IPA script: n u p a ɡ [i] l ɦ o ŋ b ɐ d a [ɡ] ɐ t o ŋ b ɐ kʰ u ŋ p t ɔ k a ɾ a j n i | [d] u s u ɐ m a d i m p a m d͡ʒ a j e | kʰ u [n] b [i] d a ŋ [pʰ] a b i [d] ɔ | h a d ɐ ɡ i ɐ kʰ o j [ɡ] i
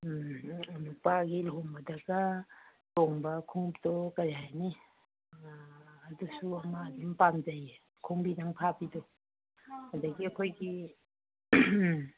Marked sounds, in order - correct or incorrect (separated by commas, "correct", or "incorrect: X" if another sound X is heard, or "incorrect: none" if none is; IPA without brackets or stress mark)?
correct, correct, correct, incorrect: ŋ, correct, correct, correct, correct